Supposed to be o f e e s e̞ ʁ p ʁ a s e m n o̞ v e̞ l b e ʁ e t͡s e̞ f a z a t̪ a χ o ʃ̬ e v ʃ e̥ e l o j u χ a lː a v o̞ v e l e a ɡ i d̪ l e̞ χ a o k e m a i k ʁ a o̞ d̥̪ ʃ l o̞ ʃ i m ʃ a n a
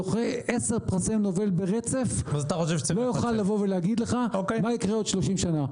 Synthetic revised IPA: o χ e e s e̞ ʁ p ʁ a s e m n o̞ v e̞ l b e ʁ e t͡s e̞ f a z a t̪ a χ o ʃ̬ e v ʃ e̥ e l o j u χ a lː a v o̞ v e l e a ɡ i d̪ l e̞ χ a o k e m a i k ʁ e o̞ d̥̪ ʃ l o̞ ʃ i m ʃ a n a